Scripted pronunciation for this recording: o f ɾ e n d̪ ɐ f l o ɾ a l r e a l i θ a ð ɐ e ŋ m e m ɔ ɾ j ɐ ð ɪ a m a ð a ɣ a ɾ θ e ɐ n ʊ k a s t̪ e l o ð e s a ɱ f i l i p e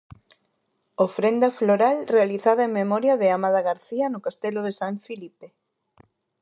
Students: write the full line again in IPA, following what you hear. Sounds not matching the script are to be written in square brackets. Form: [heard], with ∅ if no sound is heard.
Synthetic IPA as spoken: o f ɾ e n d̪ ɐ f l o ɾ a l r e a l i θ a ð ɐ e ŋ m e m ɔ ɾ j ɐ ð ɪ a m a ð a ɣ a ɾ θ [i] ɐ n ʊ k a s t̪ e l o ð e s a ɱ f i l i p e